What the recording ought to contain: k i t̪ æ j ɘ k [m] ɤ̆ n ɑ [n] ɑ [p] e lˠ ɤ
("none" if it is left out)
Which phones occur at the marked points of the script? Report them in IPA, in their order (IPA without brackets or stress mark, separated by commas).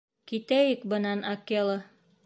b, n, k